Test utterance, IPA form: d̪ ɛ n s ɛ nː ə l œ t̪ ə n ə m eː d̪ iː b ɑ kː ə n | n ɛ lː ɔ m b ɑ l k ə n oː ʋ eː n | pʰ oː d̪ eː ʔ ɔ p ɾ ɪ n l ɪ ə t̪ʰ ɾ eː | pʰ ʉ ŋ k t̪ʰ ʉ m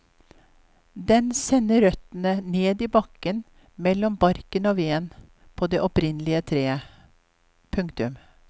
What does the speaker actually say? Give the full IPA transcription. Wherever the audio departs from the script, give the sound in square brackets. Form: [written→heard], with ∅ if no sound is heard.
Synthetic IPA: d̪ ɛ n s ɛ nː ə [l→ɾ] œ t̪ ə n ə [m→n] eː d̪ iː b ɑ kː ə n | [n→m] ɛ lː ɔ m b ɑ [l→ɾ] k ə n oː ʋ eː n | pʰ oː d̪ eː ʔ ɔ p ɾ ɪ n l ɪ ə t̪ʰ ɾ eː | pʰ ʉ ŋ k [t̪ʰ→t̪] ʉ m